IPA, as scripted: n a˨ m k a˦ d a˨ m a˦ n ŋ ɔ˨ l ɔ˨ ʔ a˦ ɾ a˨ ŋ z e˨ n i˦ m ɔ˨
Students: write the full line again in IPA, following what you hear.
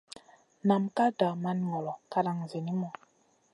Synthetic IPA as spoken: n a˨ m k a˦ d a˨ m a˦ n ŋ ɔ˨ l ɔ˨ k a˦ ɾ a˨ ŋ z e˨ n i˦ m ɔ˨